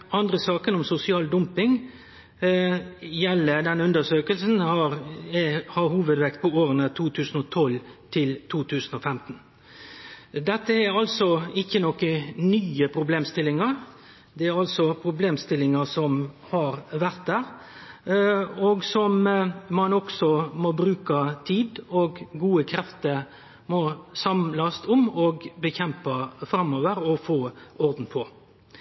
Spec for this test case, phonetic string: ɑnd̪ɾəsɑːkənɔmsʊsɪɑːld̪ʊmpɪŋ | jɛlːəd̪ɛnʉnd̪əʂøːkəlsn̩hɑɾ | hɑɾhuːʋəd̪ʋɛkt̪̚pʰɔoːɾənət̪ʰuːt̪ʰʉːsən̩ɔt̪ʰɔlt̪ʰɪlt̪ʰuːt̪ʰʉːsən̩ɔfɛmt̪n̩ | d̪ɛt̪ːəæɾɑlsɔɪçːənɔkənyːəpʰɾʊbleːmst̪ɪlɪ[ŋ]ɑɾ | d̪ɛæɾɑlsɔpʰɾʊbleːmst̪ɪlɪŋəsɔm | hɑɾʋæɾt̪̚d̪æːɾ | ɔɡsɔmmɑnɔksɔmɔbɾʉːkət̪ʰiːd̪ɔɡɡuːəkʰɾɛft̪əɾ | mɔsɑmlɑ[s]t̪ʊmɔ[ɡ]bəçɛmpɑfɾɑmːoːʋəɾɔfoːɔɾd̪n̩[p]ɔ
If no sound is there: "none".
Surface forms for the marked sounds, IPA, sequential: ŋ, s, ɡ, pʰ

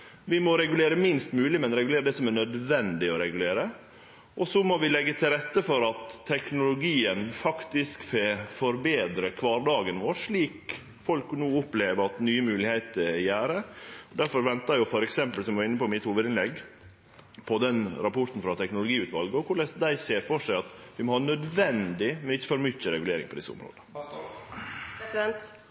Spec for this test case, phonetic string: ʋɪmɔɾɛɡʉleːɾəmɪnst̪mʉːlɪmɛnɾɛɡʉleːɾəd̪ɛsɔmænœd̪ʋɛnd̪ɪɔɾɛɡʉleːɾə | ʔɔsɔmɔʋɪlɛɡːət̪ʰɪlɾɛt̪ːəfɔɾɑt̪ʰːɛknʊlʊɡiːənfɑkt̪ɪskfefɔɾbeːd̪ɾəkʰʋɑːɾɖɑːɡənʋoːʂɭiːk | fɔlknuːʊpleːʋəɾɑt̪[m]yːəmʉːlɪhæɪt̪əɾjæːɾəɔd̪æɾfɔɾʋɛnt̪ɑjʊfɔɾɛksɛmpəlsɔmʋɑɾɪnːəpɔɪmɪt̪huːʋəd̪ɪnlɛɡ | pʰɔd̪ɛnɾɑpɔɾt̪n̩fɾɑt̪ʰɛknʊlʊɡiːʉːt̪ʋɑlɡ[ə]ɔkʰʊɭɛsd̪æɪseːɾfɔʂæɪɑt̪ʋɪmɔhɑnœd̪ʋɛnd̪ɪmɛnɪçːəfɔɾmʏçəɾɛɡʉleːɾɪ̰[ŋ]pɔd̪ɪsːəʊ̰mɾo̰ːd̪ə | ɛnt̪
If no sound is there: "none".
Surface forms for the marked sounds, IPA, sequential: n, ə, ŋ

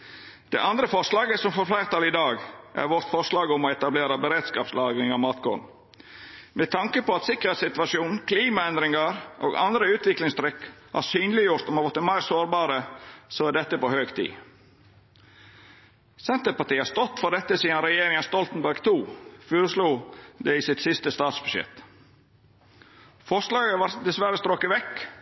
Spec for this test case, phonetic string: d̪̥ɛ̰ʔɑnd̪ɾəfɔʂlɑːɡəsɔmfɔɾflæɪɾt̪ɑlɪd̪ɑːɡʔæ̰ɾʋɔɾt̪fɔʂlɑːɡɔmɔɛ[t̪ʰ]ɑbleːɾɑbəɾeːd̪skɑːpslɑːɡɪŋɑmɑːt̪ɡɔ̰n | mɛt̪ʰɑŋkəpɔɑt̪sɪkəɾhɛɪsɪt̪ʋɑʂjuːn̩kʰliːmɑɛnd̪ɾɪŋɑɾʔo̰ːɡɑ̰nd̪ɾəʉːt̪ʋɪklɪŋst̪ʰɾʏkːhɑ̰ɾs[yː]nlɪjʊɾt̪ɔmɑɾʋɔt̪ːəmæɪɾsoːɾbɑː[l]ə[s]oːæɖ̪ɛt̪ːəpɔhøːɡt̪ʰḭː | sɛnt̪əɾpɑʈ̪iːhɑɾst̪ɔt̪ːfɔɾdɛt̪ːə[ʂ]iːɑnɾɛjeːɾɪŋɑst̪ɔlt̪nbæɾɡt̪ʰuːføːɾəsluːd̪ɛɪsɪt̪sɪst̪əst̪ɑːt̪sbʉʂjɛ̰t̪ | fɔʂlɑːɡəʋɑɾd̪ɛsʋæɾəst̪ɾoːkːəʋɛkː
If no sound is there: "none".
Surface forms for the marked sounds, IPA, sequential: t̪, yː, ɾ, s, s

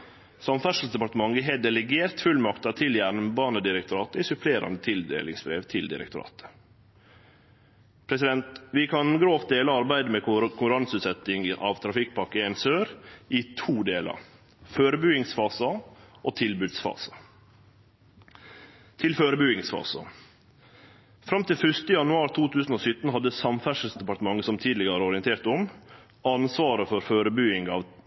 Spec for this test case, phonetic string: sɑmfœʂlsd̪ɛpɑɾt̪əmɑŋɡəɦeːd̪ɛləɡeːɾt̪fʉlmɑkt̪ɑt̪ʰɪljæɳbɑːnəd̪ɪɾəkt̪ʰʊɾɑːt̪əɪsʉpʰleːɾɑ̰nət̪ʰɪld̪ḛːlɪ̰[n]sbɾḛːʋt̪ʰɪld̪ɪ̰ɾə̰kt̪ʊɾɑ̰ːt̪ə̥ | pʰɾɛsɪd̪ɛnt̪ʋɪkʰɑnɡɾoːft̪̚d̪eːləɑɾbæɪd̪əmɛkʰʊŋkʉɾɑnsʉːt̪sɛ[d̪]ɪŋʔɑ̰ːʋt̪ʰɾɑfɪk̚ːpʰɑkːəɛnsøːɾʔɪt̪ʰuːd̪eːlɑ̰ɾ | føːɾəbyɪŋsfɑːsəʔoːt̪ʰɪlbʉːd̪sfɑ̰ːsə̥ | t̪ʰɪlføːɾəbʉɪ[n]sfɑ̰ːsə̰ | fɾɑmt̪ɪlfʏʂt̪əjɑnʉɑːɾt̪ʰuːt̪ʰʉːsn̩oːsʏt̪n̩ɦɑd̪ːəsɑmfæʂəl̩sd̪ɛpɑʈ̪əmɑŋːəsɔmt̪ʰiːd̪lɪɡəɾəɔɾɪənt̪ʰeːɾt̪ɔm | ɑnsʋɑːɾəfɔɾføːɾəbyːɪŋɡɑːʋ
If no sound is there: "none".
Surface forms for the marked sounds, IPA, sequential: ŋ, t̪, ŋ

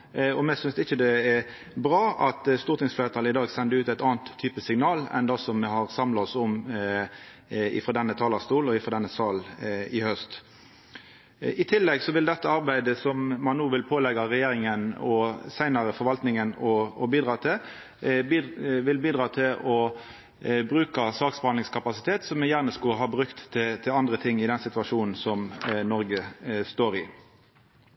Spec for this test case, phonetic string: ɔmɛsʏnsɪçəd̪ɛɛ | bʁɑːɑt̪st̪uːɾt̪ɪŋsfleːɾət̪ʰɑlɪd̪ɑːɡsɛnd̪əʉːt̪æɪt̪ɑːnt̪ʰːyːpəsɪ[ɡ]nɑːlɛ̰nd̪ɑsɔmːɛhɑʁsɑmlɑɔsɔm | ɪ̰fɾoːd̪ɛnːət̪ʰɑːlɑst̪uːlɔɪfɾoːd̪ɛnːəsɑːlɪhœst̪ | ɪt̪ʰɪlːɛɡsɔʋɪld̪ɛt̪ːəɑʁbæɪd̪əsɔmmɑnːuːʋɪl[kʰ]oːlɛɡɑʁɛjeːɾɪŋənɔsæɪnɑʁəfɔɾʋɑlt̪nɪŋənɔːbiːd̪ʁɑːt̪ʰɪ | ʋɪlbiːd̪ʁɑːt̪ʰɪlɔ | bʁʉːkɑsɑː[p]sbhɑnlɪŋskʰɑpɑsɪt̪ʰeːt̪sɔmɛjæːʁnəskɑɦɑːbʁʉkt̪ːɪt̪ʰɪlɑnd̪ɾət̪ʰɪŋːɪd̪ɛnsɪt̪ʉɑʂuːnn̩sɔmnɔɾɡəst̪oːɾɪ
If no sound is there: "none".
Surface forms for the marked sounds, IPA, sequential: ŋ, pʰ, k

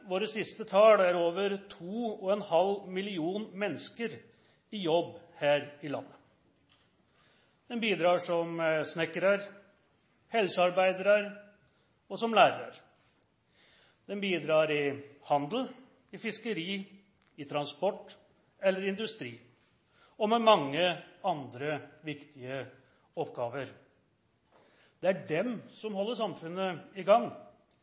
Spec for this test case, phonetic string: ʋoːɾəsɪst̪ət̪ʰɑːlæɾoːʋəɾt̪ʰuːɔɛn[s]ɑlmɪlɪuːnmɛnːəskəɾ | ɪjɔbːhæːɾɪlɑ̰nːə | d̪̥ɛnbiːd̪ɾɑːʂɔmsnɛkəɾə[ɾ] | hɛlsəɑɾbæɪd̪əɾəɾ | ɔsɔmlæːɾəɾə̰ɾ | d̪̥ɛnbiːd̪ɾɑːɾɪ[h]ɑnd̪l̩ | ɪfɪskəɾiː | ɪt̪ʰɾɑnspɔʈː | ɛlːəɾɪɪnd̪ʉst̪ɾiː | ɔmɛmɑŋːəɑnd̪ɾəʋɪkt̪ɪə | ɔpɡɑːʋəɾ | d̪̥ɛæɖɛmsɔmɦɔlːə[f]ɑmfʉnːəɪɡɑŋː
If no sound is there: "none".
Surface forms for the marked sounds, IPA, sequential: h, ɾ, h, ʂ

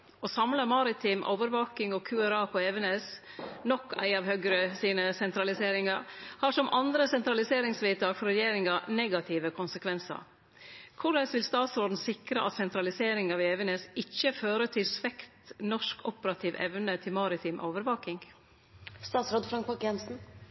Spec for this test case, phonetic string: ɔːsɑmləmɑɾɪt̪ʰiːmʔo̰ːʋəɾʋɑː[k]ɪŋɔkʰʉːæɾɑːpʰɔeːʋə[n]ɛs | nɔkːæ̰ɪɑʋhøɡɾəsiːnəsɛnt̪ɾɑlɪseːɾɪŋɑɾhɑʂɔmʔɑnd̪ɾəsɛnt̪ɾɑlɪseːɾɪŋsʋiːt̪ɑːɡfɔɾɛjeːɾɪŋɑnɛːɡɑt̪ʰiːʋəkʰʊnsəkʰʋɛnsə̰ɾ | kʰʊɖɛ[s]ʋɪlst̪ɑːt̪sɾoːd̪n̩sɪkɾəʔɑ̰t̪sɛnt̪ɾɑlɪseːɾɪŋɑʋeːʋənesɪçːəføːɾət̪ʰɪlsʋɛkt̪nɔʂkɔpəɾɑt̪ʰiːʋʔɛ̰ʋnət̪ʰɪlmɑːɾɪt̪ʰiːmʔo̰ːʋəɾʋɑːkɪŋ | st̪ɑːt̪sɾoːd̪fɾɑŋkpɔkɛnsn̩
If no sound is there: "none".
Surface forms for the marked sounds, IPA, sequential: k, n, s

